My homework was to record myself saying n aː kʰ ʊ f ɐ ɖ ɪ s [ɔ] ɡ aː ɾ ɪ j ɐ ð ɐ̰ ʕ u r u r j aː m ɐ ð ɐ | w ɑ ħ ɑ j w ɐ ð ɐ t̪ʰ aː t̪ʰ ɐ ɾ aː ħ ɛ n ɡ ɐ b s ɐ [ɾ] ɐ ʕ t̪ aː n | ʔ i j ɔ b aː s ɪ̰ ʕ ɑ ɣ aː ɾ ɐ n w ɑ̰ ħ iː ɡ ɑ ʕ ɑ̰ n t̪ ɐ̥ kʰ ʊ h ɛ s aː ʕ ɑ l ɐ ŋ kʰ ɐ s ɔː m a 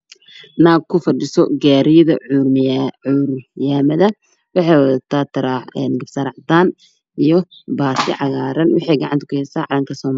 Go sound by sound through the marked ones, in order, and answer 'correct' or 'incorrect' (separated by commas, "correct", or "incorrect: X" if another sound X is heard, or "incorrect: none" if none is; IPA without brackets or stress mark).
correct, correct